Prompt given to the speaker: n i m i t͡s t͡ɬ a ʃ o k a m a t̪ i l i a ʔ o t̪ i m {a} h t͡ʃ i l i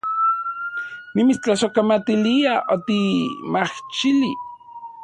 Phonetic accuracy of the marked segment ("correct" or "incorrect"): correct